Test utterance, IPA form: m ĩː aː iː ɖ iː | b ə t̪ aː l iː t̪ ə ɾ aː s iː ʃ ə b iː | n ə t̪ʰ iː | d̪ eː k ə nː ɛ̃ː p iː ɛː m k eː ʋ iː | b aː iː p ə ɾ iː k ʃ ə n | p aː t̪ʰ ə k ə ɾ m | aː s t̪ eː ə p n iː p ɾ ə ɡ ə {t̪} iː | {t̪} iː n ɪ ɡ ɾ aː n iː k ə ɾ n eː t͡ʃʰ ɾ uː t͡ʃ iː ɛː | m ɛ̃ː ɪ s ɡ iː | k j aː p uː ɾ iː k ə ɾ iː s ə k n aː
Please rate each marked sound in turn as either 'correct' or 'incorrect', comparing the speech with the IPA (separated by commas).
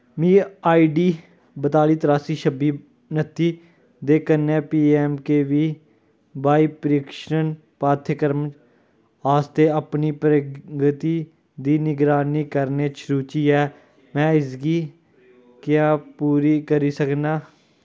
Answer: correct, incorrect